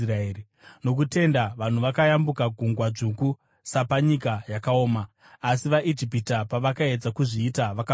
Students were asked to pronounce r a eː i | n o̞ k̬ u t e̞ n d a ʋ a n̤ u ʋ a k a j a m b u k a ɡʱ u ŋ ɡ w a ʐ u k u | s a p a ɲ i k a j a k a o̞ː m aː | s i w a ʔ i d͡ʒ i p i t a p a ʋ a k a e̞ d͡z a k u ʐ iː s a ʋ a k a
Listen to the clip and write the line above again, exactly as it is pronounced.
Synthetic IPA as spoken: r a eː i | n o̞ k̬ u t e̞ n d a ʋ a n̤ u ʋ a k a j a m b u k a ɡʱ u ŋ ɡ w a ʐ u k u | s a p a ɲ i k a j a k a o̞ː m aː | s i ʋ a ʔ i d͡ʒ i p i t a p a ʋ a k a e̞ d͡z a k u ʐ iː t a ʋ a k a